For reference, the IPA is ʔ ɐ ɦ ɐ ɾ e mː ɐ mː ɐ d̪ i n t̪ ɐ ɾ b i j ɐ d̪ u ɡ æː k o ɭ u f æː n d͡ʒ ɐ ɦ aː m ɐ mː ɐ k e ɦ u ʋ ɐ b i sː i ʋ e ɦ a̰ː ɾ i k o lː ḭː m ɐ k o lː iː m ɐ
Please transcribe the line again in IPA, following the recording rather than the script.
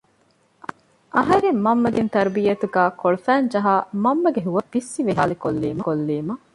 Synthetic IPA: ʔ ɐ ɦ ɐ ɾ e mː ɐ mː ɐ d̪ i n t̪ ɐ ɾ b i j ɐ t̪ u ɡ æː k o ɭ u f æː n d͡ʒ ɐ ɦ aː m ɐ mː ɐ ɡ e ɦ u ʋ ɐ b i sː i ʋ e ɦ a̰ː l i k o lː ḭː m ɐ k o lː iː m ɐ